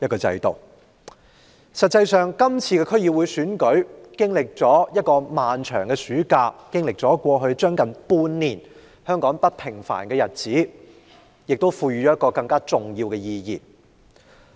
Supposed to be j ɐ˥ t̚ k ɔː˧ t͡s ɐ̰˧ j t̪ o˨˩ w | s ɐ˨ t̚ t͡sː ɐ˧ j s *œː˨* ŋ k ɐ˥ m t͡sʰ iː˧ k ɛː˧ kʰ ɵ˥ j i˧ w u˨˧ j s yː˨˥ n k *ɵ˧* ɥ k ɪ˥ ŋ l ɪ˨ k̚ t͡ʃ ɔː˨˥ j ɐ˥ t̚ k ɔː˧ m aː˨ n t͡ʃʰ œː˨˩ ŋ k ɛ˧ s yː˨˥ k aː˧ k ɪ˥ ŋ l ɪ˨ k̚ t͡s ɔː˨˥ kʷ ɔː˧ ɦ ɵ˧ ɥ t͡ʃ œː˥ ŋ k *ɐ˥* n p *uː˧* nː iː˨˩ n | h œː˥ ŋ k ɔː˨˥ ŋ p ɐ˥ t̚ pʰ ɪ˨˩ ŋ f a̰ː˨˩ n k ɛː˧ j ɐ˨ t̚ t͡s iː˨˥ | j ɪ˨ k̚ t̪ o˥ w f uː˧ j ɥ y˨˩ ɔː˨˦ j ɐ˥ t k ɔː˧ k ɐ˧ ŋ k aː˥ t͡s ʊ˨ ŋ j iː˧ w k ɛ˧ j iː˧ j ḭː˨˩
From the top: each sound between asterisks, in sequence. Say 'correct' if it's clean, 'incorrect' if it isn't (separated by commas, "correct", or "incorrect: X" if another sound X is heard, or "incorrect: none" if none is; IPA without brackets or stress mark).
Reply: correct, incorrect: ɵ˨˥, incorrect: ɐ˨˩, correct